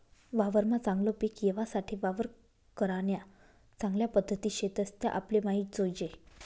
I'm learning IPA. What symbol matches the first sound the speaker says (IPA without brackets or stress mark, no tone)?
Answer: ʋ